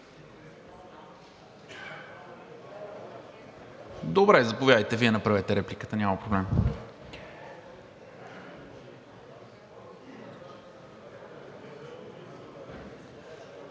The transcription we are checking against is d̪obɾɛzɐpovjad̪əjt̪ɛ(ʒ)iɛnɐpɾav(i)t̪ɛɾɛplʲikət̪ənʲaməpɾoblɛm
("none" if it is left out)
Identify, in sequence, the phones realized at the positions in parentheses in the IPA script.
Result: v, ɛ

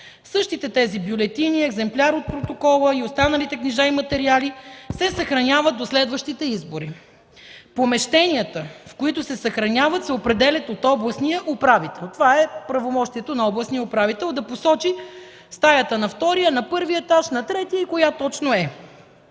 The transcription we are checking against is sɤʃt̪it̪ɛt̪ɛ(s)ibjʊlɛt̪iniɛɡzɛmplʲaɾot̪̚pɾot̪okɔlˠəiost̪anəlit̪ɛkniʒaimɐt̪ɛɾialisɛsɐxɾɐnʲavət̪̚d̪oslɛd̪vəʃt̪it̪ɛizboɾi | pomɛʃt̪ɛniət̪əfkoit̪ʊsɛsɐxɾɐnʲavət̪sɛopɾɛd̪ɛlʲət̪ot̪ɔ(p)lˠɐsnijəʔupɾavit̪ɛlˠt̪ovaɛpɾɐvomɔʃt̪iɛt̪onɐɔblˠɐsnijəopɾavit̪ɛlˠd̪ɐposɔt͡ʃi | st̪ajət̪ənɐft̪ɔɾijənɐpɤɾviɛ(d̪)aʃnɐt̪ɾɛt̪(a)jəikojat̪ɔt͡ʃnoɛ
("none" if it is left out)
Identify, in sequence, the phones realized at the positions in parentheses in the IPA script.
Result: z, b, t̪, i

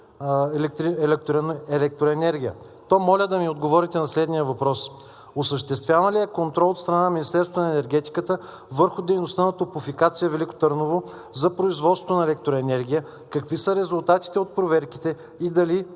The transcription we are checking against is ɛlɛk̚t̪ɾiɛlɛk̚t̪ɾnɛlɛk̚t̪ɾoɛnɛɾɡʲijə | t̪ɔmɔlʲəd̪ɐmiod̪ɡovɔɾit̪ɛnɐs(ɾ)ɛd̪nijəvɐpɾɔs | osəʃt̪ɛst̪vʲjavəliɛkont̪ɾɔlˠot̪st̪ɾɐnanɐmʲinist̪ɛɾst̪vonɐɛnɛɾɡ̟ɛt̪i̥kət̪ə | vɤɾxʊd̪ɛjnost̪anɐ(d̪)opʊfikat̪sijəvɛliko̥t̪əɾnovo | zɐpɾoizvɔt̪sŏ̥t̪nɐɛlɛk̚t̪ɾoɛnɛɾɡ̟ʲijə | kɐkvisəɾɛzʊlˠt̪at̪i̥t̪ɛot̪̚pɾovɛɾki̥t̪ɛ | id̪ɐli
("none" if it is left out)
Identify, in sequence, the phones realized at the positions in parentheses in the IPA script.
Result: l, t̪

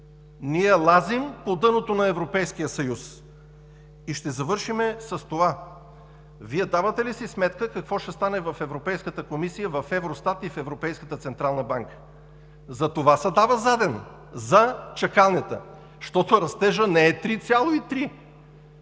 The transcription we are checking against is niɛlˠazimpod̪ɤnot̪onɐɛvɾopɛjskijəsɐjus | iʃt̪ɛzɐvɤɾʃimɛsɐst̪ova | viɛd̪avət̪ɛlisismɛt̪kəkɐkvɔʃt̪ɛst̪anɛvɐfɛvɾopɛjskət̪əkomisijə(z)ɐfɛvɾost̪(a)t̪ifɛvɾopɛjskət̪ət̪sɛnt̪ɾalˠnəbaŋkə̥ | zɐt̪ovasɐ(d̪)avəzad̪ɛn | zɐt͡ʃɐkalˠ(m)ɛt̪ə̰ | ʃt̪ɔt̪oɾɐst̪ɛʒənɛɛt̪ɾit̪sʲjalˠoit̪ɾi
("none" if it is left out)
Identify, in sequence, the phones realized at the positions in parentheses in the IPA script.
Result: v, a, d̪, n

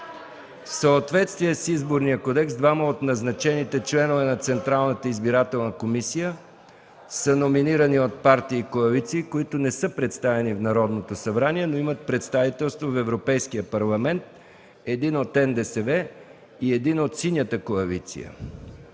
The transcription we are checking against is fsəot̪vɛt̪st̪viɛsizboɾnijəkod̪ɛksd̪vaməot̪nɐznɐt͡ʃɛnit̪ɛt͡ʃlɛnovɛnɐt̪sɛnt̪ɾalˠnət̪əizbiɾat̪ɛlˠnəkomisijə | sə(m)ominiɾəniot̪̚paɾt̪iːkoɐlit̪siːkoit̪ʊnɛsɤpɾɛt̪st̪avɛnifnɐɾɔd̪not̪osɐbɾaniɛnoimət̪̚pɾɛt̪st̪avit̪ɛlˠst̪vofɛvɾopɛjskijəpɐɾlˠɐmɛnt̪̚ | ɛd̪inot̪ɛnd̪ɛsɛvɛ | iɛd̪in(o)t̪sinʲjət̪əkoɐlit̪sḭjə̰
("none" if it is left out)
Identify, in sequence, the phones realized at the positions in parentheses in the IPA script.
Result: n, o

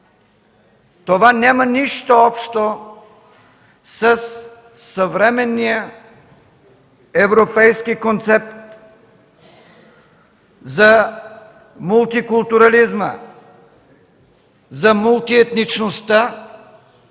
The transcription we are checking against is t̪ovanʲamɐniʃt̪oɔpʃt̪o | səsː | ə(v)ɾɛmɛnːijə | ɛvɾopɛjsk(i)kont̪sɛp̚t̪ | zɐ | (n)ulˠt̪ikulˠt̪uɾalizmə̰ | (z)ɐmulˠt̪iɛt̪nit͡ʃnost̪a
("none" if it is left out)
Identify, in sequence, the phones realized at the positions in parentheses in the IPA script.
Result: v, i, m, z

